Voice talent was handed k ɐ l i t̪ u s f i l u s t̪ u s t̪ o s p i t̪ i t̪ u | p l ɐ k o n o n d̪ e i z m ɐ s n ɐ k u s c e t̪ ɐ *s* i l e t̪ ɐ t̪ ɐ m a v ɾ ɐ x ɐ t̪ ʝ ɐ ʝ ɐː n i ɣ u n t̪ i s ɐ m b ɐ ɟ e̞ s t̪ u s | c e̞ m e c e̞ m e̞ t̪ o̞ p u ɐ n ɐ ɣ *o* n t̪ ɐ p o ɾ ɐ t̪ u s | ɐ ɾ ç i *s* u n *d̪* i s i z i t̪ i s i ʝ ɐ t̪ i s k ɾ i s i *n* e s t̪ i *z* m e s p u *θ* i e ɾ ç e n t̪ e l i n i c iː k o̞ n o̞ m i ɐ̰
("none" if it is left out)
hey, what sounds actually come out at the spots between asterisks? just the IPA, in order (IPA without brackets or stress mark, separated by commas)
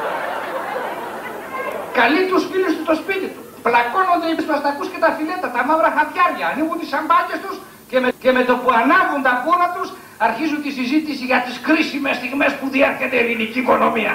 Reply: f, u, z, t̪, m, ɣ, ð